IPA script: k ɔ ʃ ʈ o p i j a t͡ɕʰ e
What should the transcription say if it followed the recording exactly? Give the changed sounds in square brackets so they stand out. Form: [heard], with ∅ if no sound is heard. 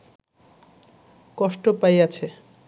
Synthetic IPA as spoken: k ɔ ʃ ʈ o p [a] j a t͡ɕʰ e